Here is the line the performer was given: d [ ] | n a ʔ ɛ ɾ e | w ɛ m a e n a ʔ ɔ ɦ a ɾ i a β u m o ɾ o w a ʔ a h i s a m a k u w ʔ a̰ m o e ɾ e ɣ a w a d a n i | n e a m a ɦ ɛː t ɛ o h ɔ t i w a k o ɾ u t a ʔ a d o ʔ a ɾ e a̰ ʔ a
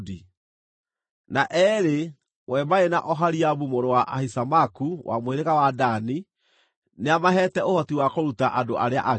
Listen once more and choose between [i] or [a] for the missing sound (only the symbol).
i